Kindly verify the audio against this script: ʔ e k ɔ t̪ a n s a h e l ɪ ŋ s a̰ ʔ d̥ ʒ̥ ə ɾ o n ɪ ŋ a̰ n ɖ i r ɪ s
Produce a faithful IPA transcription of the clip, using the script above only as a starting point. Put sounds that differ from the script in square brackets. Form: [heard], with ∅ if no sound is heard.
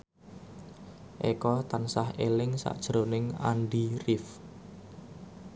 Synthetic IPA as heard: ʔ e k ɔ t̪ a n s a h e l ɪ ŋ s a̰ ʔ d̥ ʒ̥ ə ɾ o n ɪ ŋ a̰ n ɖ i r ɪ [f]

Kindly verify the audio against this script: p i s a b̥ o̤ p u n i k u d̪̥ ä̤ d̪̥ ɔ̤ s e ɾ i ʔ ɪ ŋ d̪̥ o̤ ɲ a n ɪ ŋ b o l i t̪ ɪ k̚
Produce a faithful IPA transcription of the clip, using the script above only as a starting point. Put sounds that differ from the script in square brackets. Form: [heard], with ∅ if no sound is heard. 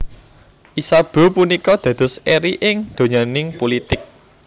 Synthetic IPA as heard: [ʔ] i s a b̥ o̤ p u n i k [ɔ] d̪̥ ä̤ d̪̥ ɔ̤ s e ɾ i ʔ ɪ ŋ d̪̥ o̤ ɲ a n ɪ ŋ [p] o l i t̪ ɪ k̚

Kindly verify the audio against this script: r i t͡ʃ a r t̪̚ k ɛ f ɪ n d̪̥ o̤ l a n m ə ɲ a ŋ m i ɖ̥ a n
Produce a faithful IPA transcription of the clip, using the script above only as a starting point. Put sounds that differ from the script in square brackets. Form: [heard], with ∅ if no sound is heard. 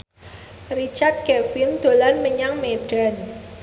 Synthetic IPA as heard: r i t͡ʃ a r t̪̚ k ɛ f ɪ n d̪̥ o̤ l a n m ə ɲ a ŋ m [e] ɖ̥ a n

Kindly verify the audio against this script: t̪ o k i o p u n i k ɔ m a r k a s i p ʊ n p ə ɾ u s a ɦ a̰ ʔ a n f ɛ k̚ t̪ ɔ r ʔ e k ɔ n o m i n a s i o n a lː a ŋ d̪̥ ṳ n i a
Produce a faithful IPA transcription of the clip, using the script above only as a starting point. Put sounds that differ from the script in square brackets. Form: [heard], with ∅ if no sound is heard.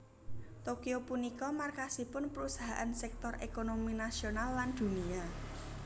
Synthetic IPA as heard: t̪ o k i o p u n i k ɔ m a r k a s i p ʊ n p ə ɾ u s a ɦ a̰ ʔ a n [s] ɛ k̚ t̪ ɔ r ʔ e k [o] n o m i n a s i o n a lː a [n] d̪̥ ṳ n i a

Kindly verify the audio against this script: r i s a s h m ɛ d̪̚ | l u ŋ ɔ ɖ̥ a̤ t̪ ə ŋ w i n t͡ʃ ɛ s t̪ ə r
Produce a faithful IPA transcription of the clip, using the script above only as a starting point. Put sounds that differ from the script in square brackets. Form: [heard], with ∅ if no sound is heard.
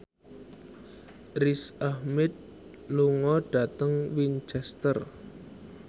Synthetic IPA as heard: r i s a [∅] h m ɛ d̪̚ | l u ŋ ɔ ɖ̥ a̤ t̪ ə ŋ w i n t͡ʃ ɛ s t̪ ə r

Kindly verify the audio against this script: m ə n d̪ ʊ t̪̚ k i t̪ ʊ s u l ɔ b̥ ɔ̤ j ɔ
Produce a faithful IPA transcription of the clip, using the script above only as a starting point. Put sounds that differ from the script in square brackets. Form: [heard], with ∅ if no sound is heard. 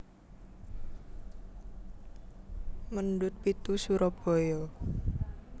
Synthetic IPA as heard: m ə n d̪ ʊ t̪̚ [p] i t̪ [u] s u [ɾ] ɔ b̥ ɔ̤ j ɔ

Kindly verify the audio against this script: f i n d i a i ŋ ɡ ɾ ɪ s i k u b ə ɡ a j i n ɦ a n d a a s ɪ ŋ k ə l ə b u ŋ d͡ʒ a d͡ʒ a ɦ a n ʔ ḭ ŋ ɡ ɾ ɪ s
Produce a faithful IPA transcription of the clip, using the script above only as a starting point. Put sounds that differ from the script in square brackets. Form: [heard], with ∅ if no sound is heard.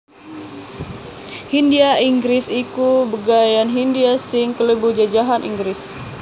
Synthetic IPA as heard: [h] i n d i a i ŋ ɡ ɾ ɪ s i k u b ə ɡ a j [a] n ɦ [i] n d [i] a s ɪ ŋ k ə l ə b u [∅] d͡ʒ a d͡ʒ a ɦ a n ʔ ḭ ŋ ɡ ɾ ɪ s

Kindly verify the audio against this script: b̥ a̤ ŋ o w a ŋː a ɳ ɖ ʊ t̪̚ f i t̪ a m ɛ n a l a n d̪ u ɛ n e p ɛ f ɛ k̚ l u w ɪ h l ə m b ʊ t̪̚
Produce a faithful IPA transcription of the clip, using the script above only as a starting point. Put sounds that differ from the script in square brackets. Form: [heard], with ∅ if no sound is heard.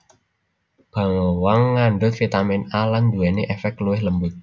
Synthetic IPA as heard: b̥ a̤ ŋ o w a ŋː a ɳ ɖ ʊ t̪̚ f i t̪ a m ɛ n a l a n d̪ u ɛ n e [ʔ] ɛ f ɛ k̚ l u w ɪ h l ə m b ʊ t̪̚

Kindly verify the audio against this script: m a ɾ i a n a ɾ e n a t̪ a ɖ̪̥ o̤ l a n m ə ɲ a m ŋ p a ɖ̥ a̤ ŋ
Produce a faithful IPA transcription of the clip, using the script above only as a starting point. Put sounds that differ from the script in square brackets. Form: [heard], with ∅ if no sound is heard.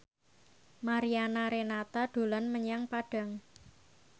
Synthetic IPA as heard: m a ɾ i a n a ɾ e n a t̪ a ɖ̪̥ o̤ l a n m ə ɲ a [∅] ŋ p a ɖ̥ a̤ ŋ

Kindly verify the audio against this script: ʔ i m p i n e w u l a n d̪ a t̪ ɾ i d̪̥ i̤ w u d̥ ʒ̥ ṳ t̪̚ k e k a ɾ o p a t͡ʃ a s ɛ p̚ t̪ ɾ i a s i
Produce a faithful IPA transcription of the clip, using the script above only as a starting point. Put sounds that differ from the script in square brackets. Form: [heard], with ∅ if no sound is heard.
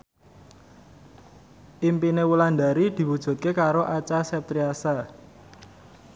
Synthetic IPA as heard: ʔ i m p i n e w u l a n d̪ a [∅] ɾ i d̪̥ i̤ w u d̥ ʒ̥ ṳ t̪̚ k e k a ɾ o [ʔ] a t͡ʃ a s ɛ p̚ t̪ ɾ i a s [a]

